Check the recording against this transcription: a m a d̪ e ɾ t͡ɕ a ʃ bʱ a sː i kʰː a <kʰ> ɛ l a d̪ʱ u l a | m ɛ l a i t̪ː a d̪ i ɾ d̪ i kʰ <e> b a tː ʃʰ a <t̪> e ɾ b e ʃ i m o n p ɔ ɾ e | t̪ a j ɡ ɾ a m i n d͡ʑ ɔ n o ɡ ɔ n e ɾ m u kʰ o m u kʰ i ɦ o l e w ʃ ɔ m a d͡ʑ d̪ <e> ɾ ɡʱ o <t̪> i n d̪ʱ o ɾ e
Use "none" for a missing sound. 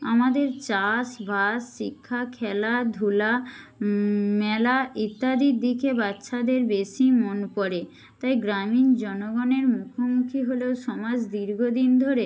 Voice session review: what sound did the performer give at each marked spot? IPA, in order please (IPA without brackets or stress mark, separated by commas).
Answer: kʰ, e, d̪, i, d̪